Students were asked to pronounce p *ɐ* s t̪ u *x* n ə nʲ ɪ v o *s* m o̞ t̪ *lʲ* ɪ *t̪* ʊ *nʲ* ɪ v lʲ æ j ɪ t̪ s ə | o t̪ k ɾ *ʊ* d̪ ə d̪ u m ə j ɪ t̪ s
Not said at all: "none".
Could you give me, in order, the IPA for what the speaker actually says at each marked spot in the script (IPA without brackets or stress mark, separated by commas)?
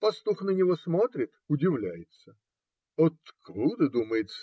ɐ, x, s, ɾʲ, t̪, dʲ, u